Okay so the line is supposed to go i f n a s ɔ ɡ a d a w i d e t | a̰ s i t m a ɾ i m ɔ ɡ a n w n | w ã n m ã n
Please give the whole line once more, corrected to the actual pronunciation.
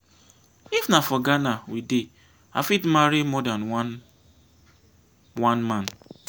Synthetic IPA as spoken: i f n a f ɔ ɡ a n a w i d e | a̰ f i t m a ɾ i m ɔ d a n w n | w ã n m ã n